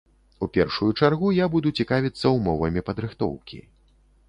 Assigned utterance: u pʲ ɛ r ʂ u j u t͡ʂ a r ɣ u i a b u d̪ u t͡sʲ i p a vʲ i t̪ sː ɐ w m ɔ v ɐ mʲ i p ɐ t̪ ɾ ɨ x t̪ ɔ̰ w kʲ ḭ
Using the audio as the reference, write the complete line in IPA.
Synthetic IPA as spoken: u pʲ ɛ r ʂ u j u t͡ʂ a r ɣ u j a b u d̪ u t͡sʲ i k a vʲ i t̪ sː ɐ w m ɔ v ɐ mʲ i p ɐ d̪ ɾ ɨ x t̪ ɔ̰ w kʲ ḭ